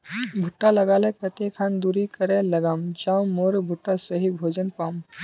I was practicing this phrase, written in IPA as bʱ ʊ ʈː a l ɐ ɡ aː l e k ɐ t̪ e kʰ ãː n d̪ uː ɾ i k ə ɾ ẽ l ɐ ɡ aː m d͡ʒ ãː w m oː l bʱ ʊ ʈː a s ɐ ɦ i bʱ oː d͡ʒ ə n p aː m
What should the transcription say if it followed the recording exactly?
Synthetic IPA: bʱ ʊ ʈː a l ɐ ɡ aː l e k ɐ t̪ e kʰ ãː n d̪ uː ɾ i k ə ɾ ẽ l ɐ ɡ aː m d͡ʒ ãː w m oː ɾ bʱ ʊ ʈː a s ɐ ɦ i bʱ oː d͡ʒ ə n p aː m